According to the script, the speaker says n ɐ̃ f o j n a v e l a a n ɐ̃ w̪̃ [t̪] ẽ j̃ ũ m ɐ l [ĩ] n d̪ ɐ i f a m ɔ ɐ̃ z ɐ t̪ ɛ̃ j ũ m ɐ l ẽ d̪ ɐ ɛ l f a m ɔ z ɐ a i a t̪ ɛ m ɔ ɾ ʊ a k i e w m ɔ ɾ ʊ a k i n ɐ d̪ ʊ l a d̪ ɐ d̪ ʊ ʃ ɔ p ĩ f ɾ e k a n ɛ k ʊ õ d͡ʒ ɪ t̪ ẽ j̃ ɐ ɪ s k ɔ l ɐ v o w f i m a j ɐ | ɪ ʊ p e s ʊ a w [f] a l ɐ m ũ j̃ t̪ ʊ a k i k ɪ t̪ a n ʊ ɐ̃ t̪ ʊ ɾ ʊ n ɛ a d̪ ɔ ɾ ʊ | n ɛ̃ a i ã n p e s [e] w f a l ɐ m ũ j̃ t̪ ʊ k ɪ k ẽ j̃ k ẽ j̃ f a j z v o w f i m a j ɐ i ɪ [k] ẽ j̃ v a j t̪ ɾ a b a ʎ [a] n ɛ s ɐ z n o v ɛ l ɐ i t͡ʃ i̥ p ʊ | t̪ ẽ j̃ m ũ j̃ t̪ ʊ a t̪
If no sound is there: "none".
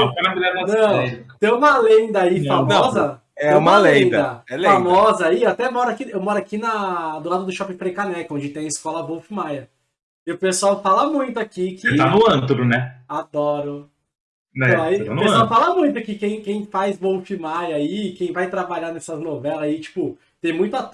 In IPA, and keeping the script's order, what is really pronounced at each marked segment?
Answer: t̪, ẽ, f, a, k, a

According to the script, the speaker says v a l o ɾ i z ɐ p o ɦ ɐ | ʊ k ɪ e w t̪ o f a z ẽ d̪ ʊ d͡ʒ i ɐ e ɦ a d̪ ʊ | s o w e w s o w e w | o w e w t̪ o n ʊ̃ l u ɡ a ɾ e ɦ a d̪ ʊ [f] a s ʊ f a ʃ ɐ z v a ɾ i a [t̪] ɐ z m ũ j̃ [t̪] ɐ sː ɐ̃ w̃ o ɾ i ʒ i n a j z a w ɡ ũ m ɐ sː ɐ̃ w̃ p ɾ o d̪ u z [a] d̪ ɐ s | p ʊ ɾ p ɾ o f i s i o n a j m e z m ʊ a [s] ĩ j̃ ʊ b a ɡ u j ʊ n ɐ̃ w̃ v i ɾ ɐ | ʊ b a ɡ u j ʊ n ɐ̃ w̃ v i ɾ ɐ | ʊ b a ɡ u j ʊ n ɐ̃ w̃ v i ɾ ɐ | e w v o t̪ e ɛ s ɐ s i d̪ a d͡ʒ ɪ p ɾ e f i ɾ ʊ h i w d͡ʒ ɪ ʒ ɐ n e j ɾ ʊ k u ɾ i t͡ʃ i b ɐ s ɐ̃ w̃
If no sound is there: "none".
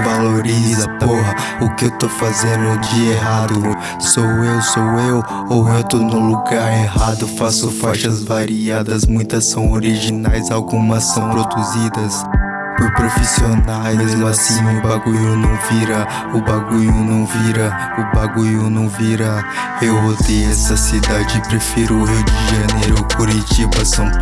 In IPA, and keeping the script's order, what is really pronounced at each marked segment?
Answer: f, d̪, t̪, i, s

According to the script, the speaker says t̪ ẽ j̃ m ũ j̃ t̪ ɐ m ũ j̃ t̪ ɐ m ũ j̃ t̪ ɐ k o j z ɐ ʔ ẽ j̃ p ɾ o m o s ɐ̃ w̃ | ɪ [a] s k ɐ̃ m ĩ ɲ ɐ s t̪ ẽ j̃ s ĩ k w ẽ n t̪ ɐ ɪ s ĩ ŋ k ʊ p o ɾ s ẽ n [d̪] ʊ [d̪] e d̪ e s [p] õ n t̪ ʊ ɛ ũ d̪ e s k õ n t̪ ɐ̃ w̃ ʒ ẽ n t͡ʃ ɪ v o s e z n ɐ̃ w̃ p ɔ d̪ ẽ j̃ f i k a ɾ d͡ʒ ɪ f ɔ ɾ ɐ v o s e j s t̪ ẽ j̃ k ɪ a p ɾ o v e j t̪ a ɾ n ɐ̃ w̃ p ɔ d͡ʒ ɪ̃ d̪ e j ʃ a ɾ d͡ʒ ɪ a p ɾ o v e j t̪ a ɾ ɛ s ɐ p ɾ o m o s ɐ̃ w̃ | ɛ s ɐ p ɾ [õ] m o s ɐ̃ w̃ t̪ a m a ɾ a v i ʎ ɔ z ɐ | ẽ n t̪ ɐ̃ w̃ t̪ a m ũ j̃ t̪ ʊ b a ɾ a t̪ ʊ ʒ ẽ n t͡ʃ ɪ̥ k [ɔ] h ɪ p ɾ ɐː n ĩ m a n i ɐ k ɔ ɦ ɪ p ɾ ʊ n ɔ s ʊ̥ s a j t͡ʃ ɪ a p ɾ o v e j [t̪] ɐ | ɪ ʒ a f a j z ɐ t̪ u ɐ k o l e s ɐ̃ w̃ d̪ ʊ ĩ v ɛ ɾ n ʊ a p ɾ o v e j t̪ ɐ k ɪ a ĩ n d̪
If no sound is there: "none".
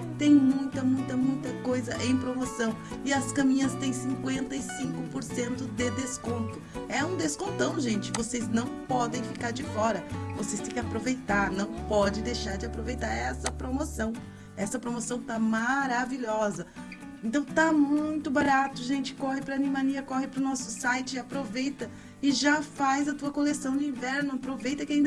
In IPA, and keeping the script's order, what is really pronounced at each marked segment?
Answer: ɐ, t̪, d̪, k, o, ɔ, t̪

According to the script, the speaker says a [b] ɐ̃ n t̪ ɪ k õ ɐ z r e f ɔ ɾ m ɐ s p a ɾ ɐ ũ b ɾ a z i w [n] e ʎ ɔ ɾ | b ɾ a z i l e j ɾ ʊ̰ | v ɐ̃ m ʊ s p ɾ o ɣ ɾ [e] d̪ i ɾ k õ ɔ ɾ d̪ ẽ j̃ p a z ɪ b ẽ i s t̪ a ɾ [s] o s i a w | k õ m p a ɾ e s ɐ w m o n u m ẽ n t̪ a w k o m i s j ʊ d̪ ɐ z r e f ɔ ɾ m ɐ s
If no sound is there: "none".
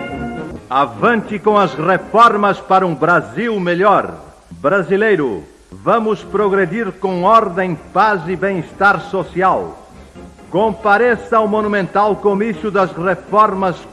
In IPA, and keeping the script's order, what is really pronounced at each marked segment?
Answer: v, m, e, s

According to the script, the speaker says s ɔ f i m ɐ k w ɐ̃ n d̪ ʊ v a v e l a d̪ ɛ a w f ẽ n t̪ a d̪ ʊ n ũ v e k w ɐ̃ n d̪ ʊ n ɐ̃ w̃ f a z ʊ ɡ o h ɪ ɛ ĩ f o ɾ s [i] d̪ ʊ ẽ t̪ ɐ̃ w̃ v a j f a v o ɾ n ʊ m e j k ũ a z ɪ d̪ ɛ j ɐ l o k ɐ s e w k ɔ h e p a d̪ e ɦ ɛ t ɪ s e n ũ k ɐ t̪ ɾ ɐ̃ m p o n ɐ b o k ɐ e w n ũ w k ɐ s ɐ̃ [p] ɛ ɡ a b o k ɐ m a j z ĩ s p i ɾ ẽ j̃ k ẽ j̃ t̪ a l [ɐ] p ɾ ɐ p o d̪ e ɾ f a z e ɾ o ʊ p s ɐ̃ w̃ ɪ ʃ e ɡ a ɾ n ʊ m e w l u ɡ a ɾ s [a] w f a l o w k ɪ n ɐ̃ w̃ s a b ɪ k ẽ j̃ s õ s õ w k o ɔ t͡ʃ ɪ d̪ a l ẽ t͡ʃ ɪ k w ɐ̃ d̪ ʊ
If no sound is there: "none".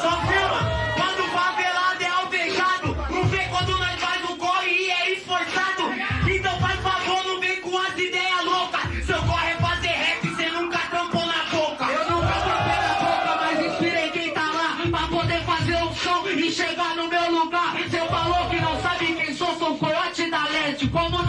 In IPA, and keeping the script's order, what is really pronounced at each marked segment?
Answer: a, p, a, e

